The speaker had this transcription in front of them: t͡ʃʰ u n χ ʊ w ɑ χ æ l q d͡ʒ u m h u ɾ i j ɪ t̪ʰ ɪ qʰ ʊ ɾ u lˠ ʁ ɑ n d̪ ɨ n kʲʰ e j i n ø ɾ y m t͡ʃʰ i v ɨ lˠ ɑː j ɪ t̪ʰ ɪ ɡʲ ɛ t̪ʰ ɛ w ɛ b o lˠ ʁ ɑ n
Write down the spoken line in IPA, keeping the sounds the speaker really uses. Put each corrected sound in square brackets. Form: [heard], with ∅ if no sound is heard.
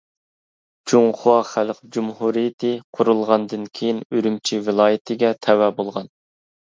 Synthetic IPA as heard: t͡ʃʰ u [ŋ] χ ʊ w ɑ χ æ l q d͡ʒ u m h u ɾ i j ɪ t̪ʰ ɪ qʰ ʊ ɾ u lˠ ʁ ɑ n d̪ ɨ n kʲʰ e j i n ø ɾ y m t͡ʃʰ i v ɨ lˠ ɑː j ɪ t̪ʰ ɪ ɡʲ ɛ t̪ʰ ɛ w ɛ b o lˠ ʁ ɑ n